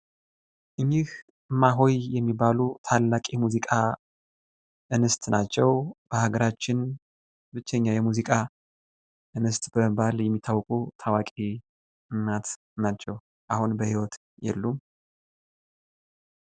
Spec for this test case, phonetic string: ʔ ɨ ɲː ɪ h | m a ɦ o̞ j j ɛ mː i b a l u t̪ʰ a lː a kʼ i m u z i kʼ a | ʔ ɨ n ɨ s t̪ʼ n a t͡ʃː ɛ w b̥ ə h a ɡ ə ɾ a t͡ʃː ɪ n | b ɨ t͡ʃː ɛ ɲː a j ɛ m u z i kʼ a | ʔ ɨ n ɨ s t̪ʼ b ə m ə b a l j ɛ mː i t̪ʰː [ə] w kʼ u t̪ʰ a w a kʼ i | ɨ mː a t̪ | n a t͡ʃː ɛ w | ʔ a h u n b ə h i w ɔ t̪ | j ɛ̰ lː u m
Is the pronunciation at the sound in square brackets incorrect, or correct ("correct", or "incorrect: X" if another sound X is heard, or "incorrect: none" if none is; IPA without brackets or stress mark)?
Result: incorrect: a